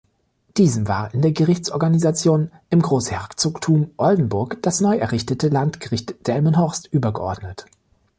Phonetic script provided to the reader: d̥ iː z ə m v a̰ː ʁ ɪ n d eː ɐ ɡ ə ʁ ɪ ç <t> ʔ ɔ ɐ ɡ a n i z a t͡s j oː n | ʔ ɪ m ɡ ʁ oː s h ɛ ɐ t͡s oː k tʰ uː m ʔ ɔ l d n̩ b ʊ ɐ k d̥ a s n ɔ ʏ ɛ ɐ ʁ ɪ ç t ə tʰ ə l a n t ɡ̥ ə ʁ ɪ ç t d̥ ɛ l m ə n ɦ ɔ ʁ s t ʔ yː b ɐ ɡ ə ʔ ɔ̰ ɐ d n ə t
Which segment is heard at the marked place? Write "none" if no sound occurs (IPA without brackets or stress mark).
t͡s